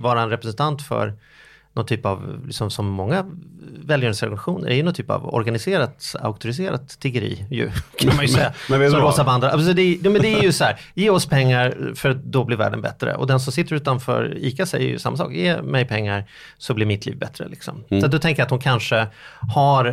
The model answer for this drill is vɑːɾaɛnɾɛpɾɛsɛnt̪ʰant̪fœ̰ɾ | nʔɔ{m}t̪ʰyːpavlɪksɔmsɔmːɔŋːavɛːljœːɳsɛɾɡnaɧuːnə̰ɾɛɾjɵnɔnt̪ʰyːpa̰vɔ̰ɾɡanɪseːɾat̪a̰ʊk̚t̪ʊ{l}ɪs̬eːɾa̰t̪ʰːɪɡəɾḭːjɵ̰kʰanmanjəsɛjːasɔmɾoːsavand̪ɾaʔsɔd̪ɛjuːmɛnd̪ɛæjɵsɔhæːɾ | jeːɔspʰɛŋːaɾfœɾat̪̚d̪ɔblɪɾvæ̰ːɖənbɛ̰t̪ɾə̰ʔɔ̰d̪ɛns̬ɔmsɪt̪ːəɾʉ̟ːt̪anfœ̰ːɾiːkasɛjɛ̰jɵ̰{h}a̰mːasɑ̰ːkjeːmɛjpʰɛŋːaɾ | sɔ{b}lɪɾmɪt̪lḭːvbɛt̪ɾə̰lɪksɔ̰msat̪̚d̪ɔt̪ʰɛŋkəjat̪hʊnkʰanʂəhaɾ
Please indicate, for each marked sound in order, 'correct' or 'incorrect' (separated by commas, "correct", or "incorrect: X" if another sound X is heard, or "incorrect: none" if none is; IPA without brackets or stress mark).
incorrect: n, incorrect: ɾ, incorrect: s, correct